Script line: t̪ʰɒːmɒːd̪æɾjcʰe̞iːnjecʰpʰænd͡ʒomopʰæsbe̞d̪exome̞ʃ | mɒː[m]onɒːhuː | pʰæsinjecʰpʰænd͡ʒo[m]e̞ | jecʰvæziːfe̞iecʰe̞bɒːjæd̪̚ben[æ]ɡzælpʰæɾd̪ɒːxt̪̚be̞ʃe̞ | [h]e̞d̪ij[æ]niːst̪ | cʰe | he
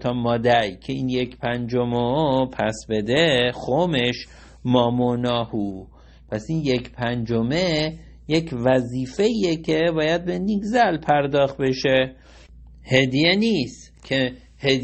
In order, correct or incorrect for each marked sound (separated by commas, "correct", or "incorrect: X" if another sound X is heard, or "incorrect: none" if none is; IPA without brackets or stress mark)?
correct, correct, incorrect: i, correct, incorrect: e